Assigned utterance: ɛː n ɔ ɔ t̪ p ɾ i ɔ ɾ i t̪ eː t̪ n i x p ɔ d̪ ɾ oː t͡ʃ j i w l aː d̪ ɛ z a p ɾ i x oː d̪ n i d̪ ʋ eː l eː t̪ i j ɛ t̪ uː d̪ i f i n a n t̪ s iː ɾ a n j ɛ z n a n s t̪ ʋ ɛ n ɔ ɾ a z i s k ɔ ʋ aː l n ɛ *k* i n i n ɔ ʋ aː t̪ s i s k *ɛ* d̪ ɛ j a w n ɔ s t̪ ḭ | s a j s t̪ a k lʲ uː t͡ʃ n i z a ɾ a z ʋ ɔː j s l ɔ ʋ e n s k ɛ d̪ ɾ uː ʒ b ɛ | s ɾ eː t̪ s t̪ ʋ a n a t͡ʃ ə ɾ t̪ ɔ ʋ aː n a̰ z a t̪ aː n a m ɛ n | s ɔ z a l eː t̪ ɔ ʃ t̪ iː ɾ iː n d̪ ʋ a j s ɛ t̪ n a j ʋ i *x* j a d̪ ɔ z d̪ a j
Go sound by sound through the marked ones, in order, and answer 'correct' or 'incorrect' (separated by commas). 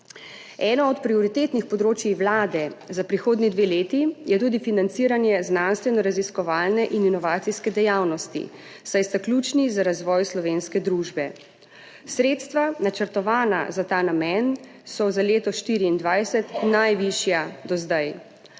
incorrect, correct, incorrect